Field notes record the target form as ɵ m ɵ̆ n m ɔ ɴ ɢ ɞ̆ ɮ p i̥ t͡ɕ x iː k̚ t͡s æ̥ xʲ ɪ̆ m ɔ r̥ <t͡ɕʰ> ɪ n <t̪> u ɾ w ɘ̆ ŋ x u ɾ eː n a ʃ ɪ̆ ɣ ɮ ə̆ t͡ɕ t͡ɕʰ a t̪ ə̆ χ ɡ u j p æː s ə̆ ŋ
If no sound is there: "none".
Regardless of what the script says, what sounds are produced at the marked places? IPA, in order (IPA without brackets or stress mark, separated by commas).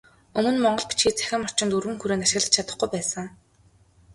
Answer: t͡ɕ, t̪